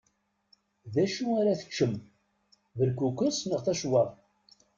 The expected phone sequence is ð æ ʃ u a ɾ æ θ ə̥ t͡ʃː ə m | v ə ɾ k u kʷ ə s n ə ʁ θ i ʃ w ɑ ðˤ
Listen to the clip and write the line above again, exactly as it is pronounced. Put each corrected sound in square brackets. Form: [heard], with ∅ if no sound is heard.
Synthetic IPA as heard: ð æ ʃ u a ɾ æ θ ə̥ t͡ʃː ə m | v ə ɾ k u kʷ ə s n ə ʁ θ [æ] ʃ w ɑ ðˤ